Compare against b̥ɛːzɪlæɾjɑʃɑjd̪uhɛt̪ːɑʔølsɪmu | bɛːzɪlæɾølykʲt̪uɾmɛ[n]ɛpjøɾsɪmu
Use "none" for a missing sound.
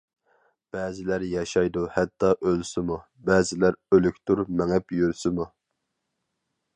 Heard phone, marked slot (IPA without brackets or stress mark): ŋ